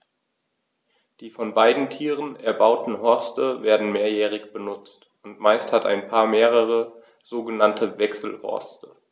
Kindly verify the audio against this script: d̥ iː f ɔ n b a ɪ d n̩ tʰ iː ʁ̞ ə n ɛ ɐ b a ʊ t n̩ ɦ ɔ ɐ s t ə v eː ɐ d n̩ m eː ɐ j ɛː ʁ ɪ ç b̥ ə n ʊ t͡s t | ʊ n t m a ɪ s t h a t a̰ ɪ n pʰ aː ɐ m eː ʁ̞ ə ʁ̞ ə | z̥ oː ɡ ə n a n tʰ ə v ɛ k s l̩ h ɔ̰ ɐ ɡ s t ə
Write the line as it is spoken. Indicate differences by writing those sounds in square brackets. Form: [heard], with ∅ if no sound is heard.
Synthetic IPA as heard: d̥ iː f ɔ n b a ɪ d n̩ tʰ iː ʁ̞ ə n ɛ ɐ b a ʊ t n̩ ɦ ɔ ɐ s t ə v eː ɐ d n̩ m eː ɐ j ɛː ʁ ɪ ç b̥ ə n ʊ t͡s t | ʊ n t m a ɪ s t h a t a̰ ɪ n pʰ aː ɐ m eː ʁ̞ ə ʁ̞ ə | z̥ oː ɡ ə n a n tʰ ə v ɛ k s l̩ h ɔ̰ ɐ [∅] s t ə